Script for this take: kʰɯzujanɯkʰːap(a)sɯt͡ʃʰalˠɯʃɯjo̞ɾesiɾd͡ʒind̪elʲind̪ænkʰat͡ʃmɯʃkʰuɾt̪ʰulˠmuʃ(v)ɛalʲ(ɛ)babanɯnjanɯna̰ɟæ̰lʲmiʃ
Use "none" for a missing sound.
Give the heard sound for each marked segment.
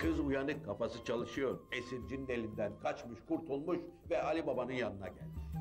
a, v, i

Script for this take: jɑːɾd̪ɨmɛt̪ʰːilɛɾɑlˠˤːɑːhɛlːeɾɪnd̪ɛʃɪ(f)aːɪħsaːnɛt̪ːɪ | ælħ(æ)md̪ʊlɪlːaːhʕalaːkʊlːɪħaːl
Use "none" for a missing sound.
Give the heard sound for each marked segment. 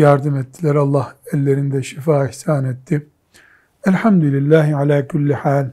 f, a

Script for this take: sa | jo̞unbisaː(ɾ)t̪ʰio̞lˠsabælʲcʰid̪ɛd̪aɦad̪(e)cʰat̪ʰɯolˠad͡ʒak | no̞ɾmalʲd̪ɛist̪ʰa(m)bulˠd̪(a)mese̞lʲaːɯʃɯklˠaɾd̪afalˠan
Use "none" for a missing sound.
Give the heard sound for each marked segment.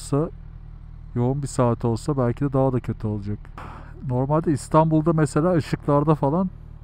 none, a, n, a

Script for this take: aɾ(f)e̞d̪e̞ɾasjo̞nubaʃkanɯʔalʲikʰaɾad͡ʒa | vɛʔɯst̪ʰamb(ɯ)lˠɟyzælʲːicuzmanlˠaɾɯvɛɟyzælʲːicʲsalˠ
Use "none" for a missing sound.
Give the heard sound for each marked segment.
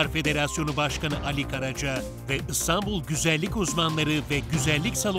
f, u

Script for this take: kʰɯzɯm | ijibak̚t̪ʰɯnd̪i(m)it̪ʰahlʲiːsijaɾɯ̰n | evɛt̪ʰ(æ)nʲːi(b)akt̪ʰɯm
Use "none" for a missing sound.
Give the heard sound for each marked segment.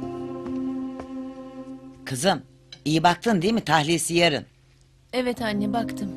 m, a, b

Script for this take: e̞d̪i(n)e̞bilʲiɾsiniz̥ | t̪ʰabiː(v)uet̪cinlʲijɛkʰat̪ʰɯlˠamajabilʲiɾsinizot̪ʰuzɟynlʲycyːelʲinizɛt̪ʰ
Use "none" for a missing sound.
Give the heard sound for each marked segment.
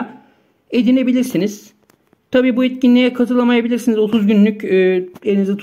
n, b

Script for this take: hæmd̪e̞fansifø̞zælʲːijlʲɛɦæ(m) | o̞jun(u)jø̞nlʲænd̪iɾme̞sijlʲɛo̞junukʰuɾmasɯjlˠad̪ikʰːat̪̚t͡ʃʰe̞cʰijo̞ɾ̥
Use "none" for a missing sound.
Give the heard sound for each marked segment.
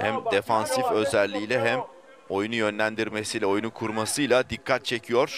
m, u

